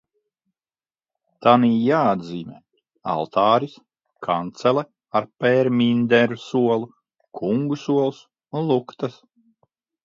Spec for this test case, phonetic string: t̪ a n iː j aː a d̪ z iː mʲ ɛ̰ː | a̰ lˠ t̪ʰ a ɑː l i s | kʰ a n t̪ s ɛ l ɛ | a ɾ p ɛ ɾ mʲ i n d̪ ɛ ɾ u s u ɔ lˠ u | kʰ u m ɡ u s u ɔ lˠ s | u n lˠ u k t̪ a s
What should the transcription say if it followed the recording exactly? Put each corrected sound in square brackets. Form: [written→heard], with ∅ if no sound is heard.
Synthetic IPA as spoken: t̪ a n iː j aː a d̪ z iː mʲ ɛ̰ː | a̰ lˠ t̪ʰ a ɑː [l→ɾ] i s | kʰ a n t̪ s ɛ l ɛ | a ɾ p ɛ ɾ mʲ i n d̪ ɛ ɾ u s u ɔ lˠ u | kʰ u [m→ŋ] ɡ u s u ɔ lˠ s | u n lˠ u k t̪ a s